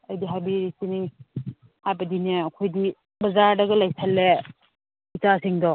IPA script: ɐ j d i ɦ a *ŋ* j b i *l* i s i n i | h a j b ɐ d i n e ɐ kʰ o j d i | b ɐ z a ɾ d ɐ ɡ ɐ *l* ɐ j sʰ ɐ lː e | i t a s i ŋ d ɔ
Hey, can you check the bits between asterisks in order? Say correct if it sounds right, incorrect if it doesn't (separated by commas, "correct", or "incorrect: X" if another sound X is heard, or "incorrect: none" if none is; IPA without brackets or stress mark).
incorrect: none, incorrect: ɾ, correct